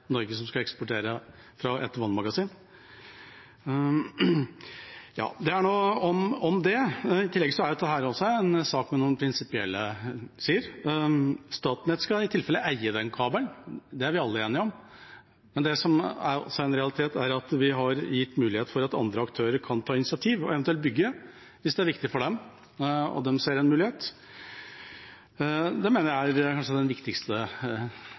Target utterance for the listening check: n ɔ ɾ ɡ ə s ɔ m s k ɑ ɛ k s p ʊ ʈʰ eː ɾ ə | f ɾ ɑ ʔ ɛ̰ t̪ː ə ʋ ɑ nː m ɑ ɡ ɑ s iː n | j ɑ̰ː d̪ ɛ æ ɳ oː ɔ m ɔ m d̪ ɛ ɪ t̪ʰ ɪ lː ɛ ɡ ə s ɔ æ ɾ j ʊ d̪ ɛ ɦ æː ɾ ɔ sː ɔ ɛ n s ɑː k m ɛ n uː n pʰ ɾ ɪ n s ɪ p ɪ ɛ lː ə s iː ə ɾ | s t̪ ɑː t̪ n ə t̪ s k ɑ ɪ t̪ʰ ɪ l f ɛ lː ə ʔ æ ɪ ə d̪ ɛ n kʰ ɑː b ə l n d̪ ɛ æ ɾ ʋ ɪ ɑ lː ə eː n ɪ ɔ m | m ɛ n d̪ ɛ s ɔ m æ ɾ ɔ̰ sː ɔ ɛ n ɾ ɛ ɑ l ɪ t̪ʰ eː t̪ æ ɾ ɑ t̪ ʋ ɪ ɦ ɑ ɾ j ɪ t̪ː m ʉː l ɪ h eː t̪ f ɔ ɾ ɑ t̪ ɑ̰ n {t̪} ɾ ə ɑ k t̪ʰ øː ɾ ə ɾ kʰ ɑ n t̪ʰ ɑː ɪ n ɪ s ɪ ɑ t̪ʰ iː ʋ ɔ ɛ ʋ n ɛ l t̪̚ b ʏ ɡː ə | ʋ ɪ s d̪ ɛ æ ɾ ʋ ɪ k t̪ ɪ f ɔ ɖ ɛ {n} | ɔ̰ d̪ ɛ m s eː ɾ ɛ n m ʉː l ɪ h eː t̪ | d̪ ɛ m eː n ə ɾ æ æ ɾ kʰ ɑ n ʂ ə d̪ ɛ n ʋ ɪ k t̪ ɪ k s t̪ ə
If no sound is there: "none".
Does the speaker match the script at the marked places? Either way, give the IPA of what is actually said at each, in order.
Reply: d̪, m

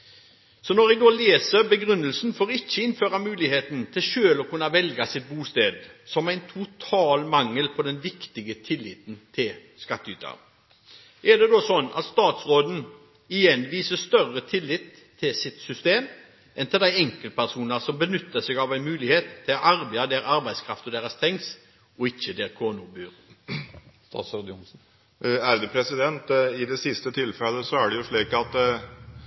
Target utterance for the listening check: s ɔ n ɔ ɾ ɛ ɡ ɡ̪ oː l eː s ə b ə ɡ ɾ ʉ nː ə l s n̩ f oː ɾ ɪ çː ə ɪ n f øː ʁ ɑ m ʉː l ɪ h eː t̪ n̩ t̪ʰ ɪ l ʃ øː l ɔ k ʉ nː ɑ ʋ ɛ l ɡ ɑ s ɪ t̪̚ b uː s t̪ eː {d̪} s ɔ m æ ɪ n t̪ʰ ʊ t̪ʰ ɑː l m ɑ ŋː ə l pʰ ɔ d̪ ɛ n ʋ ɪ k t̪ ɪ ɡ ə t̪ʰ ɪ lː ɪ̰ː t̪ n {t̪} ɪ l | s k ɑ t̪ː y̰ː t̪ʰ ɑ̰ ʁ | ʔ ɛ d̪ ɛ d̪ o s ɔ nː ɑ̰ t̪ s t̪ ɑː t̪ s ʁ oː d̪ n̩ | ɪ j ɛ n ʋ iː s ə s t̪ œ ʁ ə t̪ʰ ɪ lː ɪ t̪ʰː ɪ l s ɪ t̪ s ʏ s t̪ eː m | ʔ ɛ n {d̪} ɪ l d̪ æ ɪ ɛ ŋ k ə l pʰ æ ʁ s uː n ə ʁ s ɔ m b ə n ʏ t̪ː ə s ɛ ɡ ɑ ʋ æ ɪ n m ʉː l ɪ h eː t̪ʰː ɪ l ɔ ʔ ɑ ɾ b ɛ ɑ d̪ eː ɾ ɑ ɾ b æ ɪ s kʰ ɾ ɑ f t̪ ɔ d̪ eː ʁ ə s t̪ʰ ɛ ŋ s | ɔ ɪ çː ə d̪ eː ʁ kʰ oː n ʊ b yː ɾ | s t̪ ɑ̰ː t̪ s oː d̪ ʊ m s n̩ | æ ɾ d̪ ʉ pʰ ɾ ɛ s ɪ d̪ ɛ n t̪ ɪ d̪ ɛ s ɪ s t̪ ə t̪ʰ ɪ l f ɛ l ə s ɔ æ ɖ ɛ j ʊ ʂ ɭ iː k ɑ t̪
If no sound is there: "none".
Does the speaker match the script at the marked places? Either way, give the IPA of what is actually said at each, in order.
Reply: d̪, t̪ʰ, t̪

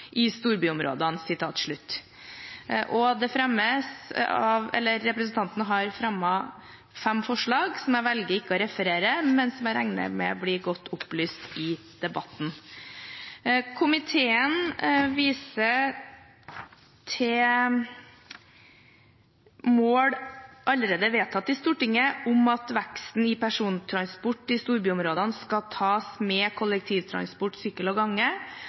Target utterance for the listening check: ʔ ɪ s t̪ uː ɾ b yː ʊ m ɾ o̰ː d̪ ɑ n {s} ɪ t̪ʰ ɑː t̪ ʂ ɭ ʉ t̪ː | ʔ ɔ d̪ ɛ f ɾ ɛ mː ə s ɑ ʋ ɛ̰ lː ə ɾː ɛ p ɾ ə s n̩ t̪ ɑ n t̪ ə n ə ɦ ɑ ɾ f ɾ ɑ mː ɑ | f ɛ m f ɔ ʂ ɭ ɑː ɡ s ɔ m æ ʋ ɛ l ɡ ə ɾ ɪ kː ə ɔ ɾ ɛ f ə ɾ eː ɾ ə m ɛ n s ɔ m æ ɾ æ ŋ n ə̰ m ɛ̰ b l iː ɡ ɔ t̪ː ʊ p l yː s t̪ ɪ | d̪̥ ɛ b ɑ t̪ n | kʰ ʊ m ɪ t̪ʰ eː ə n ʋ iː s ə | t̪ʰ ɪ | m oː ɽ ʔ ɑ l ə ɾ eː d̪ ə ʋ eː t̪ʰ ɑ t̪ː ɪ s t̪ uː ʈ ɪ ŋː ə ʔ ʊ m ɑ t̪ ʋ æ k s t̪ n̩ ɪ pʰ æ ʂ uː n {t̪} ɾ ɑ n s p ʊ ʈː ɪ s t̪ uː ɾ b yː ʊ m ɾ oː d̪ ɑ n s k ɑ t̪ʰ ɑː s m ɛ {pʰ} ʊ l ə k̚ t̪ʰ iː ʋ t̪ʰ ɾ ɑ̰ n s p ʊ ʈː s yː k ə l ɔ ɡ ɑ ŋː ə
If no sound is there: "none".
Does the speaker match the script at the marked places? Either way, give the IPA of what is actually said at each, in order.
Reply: s, t̪ʰ, kʰ

